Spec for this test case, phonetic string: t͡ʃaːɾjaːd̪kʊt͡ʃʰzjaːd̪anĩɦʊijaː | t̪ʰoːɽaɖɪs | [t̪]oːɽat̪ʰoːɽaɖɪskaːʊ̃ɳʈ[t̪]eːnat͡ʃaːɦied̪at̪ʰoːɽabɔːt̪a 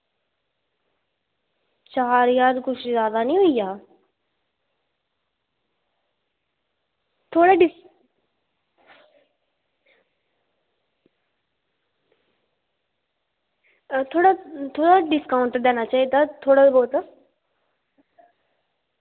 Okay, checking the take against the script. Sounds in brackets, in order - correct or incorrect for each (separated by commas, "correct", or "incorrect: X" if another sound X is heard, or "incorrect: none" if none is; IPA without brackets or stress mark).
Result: incorrect: t̪ʰ, incorrect: d̪